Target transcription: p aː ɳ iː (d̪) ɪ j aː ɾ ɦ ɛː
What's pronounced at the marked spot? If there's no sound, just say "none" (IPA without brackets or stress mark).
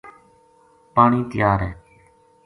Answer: t̪